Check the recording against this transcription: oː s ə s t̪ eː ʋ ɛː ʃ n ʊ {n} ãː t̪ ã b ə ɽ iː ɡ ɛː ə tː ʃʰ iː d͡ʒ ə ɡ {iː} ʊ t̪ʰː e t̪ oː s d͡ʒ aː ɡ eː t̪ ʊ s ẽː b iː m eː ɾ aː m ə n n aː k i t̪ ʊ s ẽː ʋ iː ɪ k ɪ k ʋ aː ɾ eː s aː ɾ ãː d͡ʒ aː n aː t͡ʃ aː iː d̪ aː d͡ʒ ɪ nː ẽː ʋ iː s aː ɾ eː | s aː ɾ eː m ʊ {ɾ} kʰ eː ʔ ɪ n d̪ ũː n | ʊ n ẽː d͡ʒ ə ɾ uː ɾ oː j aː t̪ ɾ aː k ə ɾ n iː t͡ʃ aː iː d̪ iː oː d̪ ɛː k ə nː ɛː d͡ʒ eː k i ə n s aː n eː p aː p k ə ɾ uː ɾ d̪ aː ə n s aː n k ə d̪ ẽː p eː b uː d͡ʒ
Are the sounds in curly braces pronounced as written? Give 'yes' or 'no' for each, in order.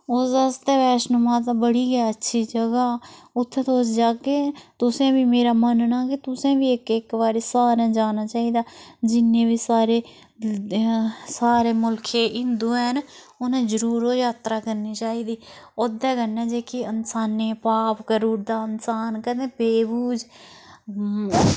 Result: no, no, no

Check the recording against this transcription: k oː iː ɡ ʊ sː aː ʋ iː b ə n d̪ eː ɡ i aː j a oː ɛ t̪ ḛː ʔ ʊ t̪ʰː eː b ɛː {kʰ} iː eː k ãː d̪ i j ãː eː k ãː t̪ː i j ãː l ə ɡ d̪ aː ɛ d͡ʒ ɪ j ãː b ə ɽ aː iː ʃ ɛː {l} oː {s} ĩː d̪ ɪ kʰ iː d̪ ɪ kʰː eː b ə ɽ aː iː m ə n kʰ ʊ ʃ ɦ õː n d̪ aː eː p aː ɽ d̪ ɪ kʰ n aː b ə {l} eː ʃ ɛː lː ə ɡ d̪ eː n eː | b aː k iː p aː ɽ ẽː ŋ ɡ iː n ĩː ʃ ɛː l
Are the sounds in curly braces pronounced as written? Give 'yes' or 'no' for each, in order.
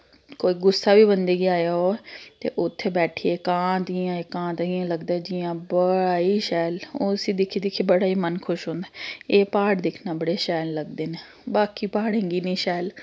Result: no, yes, yes, no

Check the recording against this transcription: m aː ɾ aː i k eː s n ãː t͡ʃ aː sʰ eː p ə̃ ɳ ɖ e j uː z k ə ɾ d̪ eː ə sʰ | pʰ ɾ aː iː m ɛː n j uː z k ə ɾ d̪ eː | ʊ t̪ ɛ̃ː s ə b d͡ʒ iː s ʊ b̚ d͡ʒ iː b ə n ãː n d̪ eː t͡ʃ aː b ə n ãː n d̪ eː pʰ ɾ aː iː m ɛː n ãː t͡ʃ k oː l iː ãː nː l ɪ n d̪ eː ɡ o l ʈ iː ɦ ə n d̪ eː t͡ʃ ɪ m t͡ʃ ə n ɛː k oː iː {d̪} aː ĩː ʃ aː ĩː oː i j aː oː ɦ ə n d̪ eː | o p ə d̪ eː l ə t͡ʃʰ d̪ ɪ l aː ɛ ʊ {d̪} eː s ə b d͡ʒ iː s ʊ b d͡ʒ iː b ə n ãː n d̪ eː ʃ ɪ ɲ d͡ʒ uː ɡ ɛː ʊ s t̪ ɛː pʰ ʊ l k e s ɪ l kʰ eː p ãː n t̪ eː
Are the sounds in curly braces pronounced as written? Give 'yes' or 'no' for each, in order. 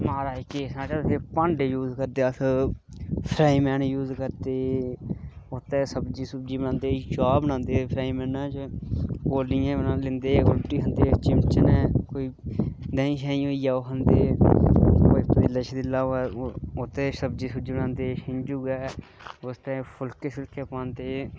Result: yes, no

